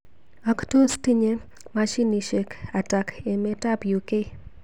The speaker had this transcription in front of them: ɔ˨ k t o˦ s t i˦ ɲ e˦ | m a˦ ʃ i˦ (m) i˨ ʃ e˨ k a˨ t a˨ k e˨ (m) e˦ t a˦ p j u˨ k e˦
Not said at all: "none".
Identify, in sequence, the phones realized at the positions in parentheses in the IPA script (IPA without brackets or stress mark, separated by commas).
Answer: n, m